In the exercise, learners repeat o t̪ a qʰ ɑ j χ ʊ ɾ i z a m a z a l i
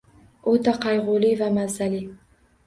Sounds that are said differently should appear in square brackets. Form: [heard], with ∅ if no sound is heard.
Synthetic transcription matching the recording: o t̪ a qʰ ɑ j [ʁ] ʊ [l] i [v] a m a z a l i